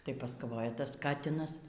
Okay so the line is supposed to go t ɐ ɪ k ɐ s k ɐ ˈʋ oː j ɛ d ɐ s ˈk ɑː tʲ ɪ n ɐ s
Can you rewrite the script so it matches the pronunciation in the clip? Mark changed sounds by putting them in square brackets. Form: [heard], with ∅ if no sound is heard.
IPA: t ɐ ɪ [p] ɐ s k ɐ ˈʋ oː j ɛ [t] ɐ s ˈk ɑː tʲ ɪ n ɐ s